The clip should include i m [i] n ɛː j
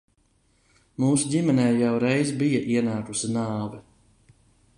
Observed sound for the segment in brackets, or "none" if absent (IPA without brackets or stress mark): ɛ